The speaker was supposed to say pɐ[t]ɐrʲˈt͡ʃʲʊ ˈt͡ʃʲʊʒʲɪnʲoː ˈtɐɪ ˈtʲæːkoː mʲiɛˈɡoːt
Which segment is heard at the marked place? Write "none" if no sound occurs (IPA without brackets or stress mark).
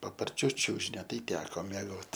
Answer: p